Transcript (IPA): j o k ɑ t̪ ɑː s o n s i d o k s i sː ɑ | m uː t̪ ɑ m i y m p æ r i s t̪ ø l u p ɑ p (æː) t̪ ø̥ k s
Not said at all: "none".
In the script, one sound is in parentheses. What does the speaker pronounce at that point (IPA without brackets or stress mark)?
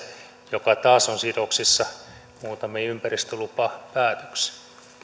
æː